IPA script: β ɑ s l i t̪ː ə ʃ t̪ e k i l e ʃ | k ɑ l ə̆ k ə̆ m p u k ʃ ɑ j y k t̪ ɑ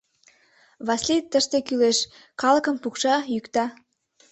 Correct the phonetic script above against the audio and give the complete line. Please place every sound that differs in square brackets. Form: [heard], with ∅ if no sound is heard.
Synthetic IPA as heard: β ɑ s l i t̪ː ə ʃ t̪ e k [y] l e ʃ | k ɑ l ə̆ k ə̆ m p u k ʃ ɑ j y k t̪ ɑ